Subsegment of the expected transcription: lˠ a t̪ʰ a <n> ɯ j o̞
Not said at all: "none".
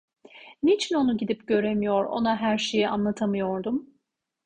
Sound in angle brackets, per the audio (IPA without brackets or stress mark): m